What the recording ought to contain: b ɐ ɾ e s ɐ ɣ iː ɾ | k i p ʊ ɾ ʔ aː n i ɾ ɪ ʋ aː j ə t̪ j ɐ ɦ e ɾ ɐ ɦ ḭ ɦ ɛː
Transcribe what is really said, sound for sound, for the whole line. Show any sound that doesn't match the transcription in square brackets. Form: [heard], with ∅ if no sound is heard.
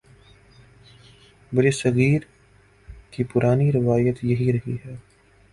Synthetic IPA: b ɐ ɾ e s ɐ ɣ iː ɾ | k i p ʊ ɾ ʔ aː n i ɾ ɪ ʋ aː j ə t̪ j ɐ ɦ [i] ɾ ɐ ɦ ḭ ɦ ɛː

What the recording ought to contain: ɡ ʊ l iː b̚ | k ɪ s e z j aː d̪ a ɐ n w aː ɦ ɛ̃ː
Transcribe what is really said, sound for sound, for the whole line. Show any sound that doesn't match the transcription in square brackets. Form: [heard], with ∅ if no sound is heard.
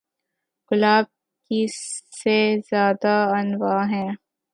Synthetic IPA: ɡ ʊ l [aː] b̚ | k [i] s e z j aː d̪ a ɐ n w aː ɦ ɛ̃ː

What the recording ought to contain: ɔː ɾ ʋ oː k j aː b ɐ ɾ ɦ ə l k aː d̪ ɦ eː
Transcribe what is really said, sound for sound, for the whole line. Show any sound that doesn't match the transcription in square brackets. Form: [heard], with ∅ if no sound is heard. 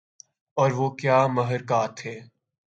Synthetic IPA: ɔː ɾ ʋ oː k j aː [m] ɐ [∅] ɦ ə [ɾ] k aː [t̪] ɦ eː

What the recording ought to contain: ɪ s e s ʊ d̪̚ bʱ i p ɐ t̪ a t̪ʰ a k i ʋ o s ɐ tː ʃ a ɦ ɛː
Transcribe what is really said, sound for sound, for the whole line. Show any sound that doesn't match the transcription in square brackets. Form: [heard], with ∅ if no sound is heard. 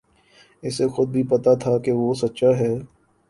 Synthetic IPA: ɪ s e [x] ʊ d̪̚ bʱ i p ɐ t̪ a t̪ʰ a k [e] ʋ o s ɐ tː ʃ a ɦ ɛː

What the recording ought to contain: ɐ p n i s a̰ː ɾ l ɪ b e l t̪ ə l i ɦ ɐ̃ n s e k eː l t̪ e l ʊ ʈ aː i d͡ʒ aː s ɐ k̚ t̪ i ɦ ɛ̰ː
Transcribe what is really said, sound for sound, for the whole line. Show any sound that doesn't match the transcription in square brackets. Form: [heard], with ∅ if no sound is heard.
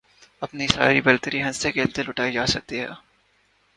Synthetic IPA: ɐ p n i s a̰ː ɾ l [i] b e l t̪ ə [ɾ] i ɦ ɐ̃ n s e k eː l t̪ e l ʊ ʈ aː i d͡ʒ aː s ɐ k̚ t̪ i ɦ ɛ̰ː

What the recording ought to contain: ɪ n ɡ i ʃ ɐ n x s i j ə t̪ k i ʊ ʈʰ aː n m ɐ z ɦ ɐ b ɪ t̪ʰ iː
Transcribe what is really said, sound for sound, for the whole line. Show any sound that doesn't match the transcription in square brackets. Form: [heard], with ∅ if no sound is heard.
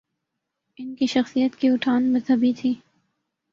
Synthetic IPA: ɪ n [k] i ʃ ɐ [∅] x s i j ə t̪ k i ʊ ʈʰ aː n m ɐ z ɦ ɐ b [i] t̪ʰ iː

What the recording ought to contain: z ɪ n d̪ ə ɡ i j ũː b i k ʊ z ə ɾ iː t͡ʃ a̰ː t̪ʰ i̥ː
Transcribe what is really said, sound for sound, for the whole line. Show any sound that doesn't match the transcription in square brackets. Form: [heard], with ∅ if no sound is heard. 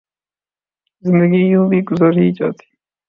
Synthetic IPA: z ɪ n d̪ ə ɡ i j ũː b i [ɡ] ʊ z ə ɾ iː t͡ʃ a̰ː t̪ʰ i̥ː

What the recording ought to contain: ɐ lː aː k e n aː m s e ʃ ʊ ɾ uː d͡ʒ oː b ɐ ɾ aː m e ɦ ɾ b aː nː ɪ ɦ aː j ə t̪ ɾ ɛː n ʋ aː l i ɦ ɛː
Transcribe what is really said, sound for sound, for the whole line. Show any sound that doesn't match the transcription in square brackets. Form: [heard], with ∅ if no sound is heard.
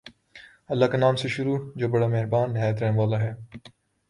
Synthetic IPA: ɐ lː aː k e n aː m s e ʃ ʊ ɾ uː d͡ʒ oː b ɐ [ɽ] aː m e ɦ ɾ b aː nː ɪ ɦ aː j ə t̪ ɾ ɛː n ʋ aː l [a] ɦ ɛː

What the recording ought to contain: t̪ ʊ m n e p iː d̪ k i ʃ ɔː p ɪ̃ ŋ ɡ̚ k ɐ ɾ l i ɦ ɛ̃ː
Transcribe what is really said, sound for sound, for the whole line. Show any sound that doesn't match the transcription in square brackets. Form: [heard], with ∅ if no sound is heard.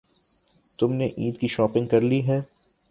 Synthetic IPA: t̪ ʊ m n e [ʔ] iː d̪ k i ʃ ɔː p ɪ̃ ŋ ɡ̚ k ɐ ɾ l i ɦ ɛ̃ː

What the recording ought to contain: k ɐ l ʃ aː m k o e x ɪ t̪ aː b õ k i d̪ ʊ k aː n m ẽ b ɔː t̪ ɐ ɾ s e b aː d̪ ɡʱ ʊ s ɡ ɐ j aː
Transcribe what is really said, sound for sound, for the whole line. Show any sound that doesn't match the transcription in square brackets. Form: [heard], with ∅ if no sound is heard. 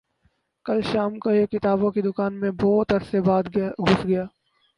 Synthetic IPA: k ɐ l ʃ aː m k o e [k] ɪ t̪ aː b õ k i d̪ ʊ k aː n m ẽ b ɔː t̪ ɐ ɾ s e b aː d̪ ɡʱ ʊ s ɡ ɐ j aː

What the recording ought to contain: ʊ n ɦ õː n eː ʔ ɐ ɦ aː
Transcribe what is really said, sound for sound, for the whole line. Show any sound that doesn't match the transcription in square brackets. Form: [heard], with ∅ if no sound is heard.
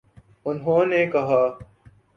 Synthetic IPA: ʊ n ɦ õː n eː [k] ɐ ɦ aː

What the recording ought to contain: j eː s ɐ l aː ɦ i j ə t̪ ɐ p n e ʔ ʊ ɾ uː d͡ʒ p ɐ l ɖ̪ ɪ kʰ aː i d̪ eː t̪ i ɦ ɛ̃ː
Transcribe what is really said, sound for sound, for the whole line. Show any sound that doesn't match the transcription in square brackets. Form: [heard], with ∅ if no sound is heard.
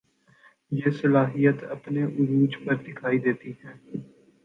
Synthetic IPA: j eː s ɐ l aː ɦ i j ə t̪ ɐ p n e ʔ ʊ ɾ uː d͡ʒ p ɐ [ɾ] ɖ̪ ɪ kʰ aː i d̪ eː t̪ i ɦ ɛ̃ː

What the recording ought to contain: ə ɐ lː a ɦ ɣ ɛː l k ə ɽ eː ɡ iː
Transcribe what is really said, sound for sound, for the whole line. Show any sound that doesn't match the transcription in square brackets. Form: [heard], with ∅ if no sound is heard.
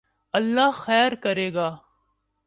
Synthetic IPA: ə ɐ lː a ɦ [x] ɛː [ɾ] k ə [ɾ] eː ɡ [aː]

